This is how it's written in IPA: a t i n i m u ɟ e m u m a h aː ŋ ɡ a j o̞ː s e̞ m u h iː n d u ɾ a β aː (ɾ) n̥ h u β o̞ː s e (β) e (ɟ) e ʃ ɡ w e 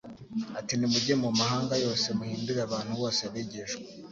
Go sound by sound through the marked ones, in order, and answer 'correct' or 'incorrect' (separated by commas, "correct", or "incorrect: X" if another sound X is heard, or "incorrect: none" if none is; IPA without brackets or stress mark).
incorrect: none, correct, correct